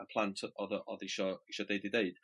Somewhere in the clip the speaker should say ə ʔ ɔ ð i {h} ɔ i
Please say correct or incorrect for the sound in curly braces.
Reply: incorrect